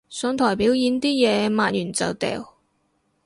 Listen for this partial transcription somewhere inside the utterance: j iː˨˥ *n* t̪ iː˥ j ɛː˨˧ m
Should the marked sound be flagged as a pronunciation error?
no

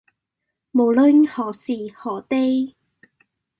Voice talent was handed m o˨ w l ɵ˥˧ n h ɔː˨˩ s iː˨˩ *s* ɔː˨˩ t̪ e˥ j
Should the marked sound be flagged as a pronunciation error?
yes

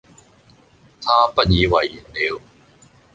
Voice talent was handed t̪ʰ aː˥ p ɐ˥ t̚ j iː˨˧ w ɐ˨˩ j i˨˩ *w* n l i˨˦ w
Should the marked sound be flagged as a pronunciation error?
yes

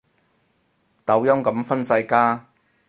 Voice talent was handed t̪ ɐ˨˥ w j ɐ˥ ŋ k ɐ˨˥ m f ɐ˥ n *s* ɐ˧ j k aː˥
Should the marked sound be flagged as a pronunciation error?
no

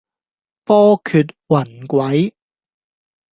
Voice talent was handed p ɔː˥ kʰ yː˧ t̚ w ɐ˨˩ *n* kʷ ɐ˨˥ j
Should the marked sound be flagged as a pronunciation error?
no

